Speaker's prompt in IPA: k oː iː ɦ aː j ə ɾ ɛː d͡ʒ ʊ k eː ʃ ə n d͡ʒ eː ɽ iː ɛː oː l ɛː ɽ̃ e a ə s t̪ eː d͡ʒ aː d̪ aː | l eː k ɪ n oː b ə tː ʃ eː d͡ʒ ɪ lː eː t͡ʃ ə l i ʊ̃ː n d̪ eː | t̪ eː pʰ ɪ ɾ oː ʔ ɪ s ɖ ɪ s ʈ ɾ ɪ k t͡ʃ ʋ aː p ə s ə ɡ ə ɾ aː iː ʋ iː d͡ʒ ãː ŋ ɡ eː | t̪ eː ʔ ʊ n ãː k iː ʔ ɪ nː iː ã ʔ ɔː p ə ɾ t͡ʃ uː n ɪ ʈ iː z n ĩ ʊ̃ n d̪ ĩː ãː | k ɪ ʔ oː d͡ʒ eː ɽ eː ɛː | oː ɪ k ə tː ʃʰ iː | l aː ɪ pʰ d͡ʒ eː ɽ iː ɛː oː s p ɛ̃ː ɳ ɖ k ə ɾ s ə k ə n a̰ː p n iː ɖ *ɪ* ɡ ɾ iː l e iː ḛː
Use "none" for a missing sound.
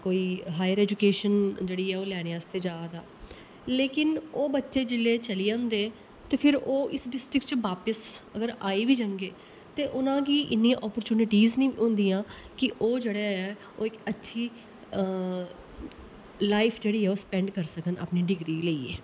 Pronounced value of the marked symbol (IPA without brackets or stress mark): ɪ